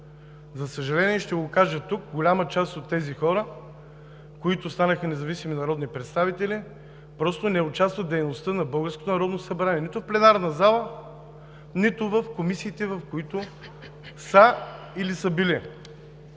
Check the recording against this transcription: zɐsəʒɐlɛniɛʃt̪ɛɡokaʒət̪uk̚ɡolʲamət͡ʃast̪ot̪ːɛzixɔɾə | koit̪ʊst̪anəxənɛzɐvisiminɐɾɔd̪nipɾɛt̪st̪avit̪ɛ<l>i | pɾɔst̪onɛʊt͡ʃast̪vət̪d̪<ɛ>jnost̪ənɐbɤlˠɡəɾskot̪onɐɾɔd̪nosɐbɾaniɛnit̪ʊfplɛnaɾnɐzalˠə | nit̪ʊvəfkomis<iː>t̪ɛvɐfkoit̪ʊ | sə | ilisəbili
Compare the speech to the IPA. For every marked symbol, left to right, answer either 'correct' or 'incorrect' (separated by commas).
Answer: correct, correct, correct